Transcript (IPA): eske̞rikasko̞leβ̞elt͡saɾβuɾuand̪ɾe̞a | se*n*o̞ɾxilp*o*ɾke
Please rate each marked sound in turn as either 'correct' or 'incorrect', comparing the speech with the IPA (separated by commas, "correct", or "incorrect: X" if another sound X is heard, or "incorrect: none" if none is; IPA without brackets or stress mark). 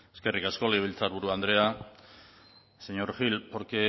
incorrect: ɲ, correct